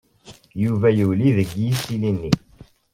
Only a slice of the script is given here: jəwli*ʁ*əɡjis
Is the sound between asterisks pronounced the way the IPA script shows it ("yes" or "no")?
no